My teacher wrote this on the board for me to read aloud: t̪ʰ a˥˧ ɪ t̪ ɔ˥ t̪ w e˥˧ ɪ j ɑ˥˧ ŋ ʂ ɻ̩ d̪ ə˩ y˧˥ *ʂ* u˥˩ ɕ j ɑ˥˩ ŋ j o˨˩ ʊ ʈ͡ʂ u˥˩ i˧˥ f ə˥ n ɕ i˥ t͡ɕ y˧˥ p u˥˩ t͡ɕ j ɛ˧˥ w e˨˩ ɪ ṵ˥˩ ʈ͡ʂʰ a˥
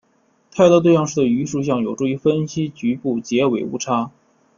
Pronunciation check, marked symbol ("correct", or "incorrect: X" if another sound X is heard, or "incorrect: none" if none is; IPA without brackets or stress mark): correct